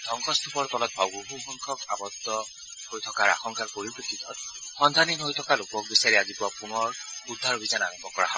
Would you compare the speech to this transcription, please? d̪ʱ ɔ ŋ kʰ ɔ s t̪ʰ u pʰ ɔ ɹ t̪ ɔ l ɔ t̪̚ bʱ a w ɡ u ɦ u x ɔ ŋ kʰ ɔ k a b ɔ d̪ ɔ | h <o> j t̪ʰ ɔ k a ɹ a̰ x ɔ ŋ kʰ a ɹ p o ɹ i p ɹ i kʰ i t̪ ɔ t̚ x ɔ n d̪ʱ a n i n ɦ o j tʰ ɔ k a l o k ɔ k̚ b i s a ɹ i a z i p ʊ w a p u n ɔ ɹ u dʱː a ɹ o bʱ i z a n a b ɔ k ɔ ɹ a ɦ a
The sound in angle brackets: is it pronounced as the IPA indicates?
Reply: yes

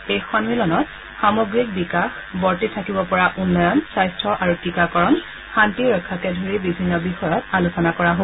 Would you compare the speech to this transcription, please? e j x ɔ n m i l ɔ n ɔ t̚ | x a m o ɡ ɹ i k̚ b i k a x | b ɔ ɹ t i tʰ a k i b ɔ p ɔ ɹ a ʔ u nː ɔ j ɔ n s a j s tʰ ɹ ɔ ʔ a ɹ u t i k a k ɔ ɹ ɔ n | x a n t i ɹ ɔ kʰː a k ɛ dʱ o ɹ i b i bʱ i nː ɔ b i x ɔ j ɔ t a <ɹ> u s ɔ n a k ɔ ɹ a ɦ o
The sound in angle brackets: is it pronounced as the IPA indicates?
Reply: no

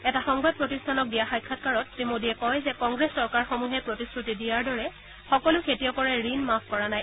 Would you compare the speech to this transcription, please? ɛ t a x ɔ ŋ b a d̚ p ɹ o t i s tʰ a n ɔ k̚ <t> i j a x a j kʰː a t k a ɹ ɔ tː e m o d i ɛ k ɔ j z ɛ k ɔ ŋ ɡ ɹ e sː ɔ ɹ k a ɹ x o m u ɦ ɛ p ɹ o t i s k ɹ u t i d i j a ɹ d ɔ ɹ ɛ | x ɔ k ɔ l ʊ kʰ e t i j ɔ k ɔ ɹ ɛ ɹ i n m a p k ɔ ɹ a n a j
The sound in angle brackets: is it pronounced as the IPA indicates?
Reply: no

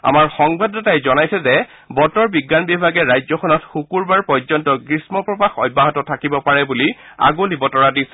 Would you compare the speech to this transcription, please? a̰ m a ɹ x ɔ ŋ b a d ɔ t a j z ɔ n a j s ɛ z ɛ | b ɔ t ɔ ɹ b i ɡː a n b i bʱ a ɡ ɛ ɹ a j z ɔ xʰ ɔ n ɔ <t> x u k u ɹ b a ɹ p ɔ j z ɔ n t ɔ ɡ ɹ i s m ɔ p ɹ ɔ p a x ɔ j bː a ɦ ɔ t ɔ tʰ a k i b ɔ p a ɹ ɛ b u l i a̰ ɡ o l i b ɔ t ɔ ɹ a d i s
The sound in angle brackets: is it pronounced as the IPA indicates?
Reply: yes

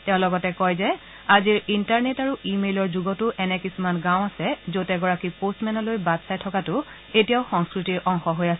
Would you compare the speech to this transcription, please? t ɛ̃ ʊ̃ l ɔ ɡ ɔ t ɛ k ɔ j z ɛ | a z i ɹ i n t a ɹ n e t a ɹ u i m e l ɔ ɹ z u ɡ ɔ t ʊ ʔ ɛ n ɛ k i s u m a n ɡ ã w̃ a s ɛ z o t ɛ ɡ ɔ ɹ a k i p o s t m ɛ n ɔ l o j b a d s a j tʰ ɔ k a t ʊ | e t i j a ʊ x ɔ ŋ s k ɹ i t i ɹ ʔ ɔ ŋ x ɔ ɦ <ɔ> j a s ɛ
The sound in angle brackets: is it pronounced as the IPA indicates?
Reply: no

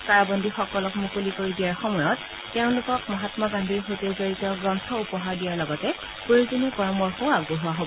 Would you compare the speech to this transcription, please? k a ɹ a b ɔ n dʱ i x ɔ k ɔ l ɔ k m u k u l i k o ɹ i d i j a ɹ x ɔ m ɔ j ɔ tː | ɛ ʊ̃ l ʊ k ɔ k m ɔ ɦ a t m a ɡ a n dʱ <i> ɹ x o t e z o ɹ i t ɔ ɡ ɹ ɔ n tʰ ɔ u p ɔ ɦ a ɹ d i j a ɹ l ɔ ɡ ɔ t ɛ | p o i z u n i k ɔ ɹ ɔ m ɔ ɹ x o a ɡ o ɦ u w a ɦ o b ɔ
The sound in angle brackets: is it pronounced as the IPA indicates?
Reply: yes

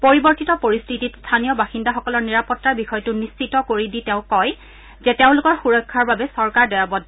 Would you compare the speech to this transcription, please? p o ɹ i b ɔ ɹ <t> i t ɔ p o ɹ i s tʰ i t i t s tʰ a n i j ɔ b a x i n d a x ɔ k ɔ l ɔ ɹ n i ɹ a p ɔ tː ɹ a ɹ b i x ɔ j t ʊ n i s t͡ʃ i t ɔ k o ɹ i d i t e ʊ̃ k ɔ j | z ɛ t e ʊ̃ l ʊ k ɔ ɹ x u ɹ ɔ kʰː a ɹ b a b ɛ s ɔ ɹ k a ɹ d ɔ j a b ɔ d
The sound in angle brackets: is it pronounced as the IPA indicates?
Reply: yes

